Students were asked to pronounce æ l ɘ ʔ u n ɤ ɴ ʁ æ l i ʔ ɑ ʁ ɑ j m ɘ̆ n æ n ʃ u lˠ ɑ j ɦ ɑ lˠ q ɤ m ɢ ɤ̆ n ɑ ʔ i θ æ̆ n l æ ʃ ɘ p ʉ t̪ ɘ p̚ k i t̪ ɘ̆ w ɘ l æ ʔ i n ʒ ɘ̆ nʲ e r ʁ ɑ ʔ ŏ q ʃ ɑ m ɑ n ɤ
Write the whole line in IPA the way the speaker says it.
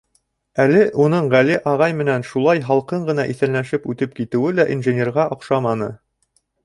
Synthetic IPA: æ l ɘ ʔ u n ɤ ɴ ʁ æ l i ʔ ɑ ʁ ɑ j m ɘ̆ n æ n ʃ u lˠ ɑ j ɦ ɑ lˠ q ɤ ɴ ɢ ɤ̆ n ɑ ʔ i θ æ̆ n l æ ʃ ɘ p ʉ t̪ ɘ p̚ k i t̪ ɘ̆ w ɘ l æ ʔ i n ʒ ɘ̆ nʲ e r ʁ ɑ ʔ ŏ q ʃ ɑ m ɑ n ɤ